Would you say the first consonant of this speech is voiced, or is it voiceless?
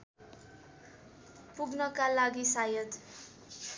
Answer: voiceless